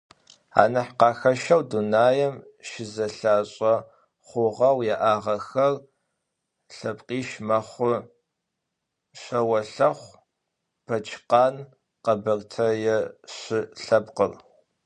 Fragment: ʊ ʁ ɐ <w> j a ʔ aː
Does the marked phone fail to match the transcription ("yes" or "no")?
no